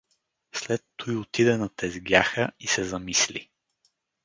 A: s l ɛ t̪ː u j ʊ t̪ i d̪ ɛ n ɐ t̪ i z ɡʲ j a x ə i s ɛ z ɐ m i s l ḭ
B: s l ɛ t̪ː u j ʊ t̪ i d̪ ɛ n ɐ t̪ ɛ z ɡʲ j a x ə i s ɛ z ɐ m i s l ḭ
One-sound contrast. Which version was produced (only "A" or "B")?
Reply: B